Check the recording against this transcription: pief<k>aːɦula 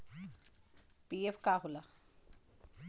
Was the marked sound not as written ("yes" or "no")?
no